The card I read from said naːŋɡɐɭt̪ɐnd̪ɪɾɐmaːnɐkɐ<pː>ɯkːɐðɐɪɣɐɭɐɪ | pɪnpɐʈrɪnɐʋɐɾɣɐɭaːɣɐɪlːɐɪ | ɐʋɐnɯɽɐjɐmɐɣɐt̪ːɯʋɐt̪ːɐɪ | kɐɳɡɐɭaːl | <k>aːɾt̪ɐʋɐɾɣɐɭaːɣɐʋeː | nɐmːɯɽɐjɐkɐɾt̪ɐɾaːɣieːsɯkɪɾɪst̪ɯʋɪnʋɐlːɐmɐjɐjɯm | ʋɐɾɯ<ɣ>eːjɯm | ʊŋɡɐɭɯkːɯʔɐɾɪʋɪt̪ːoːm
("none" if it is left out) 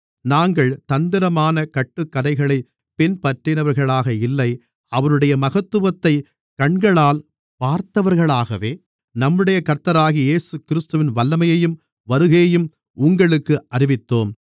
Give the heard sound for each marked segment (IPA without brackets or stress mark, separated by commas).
ʈː, p, ɣ